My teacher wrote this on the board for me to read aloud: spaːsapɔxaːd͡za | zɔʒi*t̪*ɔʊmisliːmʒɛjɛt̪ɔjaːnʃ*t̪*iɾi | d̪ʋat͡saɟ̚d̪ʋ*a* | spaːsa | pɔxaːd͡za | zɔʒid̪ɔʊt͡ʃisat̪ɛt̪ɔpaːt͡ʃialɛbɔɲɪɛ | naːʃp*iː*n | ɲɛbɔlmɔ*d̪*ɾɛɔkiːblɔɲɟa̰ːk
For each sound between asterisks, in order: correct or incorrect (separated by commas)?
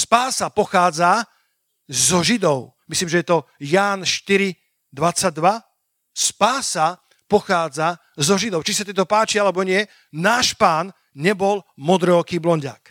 incorrect, correct, correct, incorrect, correct